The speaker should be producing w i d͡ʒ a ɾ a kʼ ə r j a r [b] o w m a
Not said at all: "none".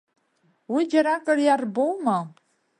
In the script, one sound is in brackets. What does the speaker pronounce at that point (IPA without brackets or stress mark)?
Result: b